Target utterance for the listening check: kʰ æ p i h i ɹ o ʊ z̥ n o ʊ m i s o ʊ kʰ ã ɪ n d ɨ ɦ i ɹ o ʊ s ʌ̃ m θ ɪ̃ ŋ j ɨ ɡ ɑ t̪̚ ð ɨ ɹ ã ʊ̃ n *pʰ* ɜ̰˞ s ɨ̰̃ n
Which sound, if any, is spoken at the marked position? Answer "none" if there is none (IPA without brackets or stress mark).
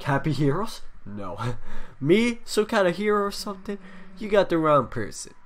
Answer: pʰ